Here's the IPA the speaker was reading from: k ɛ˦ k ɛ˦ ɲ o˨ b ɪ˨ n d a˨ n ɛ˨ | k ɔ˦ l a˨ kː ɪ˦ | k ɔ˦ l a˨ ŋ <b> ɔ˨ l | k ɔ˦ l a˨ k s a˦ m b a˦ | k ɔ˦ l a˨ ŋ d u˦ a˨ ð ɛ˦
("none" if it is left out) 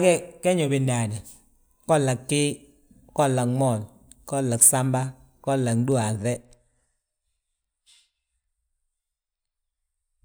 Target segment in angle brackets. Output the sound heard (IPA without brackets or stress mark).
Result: m